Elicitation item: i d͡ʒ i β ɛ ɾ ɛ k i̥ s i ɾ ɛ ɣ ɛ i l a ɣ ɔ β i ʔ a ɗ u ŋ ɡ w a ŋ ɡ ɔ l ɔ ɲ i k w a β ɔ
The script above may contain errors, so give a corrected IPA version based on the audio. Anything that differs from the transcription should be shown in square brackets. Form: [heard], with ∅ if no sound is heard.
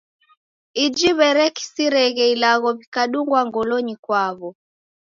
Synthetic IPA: i d͡ʒ i β ɛ ɾ ɛ k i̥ s i ɾ ɛ ɣ ɛ i l a ɣ ɔ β i [k] a ɗ u ŋ ɡ w a ŋ ɡ ɔ l ɔ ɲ i k w a β ɔ